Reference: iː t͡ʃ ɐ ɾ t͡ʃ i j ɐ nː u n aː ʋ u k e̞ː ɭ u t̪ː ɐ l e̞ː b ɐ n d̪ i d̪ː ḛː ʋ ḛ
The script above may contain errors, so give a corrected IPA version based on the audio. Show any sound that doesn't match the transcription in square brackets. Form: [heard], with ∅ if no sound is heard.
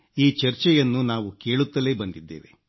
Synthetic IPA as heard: iː t͡ʃ ɐ ɾ t͡ʃ [ɛ] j ɐ nː u n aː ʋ u k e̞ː ɭ u t̪ː ɐ l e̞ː b ɐ n d̪ i d̪ː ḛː ʋ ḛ